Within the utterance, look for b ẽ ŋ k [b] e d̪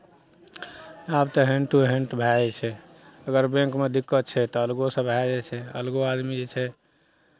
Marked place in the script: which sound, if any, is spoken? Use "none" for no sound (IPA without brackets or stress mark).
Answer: m